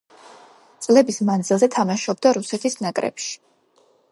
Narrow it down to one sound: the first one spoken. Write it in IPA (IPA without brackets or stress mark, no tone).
t̪